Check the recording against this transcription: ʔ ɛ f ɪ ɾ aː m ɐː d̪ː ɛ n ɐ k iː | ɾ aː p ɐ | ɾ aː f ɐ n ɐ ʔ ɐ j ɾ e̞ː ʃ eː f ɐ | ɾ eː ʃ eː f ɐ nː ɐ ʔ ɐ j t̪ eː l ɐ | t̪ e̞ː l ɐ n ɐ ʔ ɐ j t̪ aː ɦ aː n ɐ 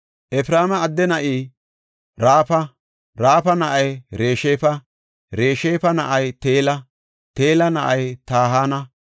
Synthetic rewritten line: ʔ ɛ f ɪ ɾ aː m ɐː d̪ː ɛ n ɐ ʔ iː | ɾ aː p ɐ | ɾ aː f ɐ n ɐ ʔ ɐ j ɾ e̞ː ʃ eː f ɐ | ɾ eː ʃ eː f ɐ n ɐ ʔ ɐ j t̪ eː l ɐ | t̪ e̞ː l ɐ n ɐ ʔ ɐ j t̪ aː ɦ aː n ɐ